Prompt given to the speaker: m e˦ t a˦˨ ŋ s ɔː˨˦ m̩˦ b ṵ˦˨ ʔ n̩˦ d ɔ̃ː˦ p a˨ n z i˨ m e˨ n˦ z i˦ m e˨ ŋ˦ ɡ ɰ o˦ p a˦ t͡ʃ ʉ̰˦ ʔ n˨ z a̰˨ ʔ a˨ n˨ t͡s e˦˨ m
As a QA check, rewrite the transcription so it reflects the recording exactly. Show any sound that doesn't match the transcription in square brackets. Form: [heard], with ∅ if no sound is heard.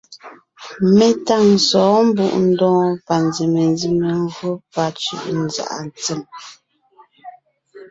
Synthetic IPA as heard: m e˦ t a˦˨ ŋ s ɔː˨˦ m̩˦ b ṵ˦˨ ʔ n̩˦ d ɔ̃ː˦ p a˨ n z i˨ m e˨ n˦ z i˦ m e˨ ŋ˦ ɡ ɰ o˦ p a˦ t͡ʃ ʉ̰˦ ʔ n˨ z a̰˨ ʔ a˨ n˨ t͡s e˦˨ m